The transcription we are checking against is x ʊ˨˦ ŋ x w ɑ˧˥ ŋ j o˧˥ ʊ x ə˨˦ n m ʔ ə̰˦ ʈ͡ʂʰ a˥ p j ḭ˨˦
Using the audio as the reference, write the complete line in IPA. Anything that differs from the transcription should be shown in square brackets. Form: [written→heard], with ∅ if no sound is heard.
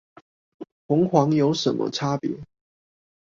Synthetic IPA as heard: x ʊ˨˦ ŋ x w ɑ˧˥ ŋ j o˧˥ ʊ [x→ʂ] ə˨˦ n m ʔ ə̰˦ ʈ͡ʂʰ a˥ p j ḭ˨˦